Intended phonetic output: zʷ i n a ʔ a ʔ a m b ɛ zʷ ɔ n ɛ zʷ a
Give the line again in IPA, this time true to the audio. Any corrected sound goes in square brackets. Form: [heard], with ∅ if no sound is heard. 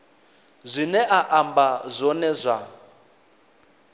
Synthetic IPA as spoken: zʷ i n [ɛ] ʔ a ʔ a m b [a] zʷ ɔ n ɛ zʷ a

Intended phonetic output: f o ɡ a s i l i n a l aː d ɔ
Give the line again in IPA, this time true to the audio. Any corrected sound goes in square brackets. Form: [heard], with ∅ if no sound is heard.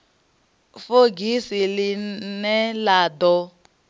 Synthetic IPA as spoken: f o ɡ [i] s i l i n [ɛ] l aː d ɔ

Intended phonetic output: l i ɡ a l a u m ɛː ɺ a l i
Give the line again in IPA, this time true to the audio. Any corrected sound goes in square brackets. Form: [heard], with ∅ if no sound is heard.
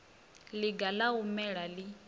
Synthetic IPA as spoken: l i ɡ a l a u m [ɛ] ɺ a l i

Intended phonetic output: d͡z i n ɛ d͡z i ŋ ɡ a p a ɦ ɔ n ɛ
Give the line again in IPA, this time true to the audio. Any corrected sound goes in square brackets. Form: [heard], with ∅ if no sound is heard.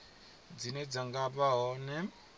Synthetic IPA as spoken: d͡z i n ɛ d͡z [a] ŋ ɡ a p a ɦ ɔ n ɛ

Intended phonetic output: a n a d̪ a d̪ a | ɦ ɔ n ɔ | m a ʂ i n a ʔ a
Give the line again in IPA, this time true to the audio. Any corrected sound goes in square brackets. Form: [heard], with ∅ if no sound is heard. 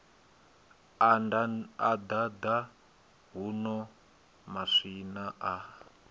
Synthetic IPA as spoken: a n a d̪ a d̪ a | ɦ [u] n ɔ | m a ʂ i n a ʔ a

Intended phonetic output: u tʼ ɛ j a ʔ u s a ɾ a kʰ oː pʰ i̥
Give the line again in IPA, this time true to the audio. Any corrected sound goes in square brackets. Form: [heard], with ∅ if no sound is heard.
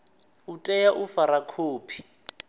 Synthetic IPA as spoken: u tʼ ɛ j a ʔ u [f] a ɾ a kʰ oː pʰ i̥

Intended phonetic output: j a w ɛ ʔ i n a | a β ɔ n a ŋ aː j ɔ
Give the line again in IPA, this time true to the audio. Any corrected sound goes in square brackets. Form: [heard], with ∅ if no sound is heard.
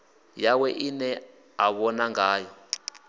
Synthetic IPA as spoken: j a w ɛ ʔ i n [ɛ] | a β ɔ n a ŋ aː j ɔ

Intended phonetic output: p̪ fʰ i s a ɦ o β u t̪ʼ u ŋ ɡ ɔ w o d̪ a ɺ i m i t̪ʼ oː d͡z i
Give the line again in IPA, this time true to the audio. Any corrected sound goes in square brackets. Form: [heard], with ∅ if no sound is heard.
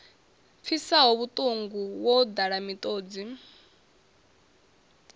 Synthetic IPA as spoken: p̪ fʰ i s a ɦ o β u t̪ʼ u ŋ ɡ [u] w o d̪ a ɺ [a] m i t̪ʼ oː d͡z i

